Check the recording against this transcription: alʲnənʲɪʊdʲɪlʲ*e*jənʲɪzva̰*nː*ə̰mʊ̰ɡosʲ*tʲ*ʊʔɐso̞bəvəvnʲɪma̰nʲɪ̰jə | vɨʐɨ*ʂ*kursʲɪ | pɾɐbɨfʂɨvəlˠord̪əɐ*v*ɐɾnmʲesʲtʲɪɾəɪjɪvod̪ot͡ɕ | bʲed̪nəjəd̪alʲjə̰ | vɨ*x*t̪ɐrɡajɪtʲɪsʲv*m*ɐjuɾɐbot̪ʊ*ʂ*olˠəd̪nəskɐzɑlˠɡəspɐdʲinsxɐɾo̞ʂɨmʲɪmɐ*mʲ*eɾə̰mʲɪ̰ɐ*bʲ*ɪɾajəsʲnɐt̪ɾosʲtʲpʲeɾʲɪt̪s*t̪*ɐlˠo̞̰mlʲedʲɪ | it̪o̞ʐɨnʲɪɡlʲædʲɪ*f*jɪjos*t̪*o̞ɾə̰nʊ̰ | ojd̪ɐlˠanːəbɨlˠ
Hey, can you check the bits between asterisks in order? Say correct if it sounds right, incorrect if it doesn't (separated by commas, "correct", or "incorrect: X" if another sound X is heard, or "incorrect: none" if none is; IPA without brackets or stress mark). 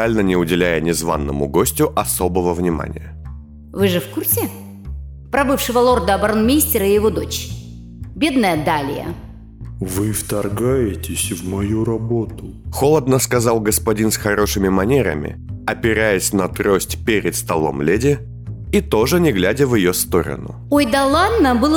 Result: incorrect: æ, correct, correct, incorrect: f, incorrect: b, incorrect: f, correct, incorrect: x, incorrect: nʲ, incorrect: pʲ, correct, incorrect: v, correct